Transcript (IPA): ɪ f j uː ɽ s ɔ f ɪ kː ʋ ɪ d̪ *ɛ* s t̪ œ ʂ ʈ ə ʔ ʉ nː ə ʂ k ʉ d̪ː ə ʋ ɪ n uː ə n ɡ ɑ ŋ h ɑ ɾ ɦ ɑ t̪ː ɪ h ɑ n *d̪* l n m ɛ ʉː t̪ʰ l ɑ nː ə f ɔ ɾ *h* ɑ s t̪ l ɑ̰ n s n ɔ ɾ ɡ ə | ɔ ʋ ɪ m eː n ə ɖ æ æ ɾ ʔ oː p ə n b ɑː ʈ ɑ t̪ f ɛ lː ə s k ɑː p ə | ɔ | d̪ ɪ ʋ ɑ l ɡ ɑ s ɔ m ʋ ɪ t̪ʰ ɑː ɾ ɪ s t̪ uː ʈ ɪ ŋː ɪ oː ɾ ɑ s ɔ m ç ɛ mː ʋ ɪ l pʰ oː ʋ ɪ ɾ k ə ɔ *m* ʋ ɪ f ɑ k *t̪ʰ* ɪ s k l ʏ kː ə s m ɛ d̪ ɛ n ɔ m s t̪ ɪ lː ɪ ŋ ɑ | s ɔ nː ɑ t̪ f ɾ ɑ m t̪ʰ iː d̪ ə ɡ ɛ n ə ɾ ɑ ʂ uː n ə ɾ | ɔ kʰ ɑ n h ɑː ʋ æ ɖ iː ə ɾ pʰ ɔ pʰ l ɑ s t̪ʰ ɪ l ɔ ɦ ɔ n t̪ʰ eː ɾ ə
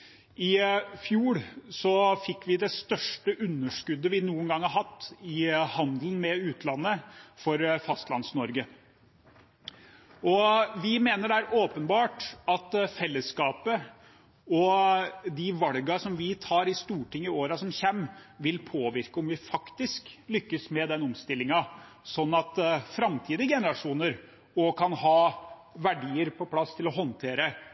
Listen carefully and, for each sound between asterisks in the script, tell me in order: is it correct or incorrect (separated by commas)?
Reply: correct, correct, incorrect, correct, incorrect